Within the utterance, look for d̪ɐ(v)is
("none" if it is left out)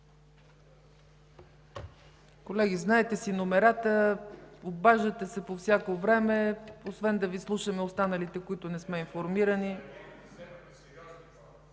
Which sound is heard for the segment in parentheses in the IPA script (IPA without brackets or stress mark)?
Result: v